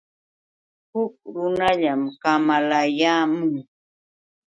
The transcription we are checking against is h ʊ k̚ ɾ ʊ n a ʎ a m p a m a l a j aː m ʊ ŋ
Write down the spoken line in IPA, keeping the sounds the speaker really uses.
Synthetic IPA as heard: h ʊ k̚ ɾ ʊ n a ʎ a m k a m a l a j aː m ʊ ŋ